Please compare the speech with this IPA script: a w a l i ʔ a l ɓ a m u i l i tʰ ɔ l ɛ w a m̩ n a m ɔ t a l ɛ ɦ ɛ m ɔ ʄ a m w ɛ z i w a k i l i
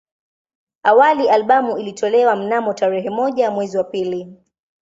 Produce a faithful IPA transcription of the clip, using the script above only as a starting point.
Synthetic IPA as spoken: a w a l i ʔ a l ɓ a m u i l i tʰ ɔ l ɛ w a m̩ n a m ɔ t a ɾ ɛ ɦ ɛ m ɔ ʄ a m w ɛ z i w a p i l i